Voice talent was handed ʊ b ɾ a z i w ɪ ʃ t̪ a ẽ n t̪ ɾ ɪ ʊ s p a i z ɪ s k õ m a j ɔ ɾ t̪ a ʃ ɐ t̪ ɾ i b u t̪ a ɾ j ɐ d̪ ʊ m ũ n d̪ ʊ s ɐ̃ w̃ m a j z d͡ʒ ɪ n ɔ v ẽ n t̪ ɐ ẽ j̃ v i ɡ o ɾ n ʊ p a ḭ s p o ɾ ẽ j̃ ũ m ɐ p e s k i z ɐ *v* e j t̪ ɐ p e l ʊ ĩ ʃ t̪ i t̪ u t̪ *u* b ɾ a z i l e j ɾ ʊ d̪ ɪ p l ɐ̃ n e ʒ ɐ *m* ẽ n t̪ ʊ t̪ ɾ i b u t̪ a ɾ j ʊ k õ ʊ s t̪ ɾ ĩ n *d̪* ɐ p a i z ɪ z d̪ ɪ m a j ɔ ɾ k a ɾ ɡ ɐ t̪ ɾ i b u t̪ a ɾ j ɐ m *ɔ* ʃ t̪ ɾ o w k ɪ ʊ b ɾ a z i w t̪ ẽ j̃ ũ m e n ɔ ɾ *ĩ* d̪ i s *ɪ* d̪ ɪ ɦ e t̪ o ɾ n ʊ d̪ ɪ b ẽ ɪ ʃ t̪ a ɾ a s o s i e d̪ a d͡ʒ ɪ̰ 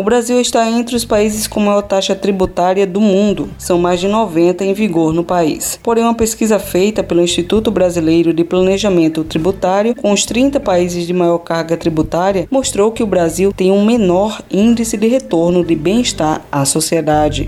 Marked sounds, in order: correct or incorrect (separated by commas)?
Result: incorrect, incorrect, correct, incorrect, incorrect, correct, correct